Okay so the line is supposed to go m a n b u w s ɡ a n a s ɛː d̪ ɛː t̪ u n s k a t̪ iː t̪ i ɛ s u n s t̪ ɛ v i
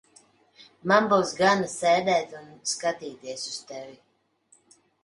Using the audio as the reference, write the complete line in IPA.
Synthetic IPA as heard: m a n b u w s ɡ a n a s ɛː d̪ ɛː t̪ u n s k a t̪ iː t̪ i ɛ s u s t̪ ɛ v i